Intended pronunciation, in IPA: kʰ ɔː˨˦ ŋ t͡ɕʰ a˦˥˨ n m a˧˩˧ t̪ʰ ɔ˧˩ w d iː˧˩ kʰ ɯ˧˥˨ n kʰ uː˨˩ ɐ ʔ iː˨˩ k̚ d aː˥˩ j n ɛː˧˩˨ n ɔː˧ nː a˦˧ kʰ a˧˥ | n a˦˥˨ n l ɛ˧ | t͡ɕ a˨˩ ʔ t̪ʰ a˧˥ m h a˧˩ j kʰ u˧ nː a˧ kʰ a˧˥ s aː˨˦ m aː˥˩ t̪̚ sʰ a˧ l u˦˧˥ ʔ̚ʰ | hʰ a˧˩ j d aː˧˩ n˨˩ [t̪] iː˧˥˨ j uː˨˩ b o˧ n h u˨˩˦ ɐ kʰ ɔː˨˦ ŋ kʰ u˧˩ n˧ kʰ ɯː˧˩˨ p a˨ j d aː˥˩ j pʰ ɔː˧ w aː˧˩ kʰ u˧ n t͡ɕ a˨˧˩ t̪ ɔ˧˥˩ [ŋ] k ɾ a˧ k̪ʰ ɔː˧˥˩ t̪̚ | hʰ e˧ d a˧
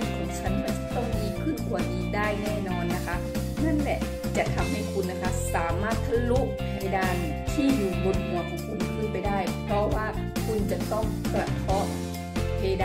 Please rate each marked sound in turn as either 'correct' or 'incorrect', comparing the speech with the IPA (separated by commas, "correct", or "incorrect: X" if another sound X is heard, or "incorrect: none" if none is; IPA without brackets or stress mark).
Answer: incorrect: t̪ʰ, correct